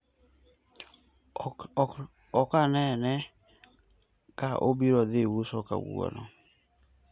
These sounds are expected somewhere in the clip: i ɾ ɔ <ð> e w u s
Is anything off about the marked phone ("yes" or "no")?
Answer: no